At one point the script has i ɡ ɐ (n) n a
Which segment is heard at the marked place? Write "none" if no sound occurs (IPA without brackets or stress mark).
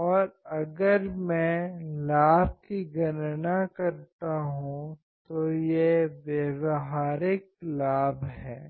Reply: n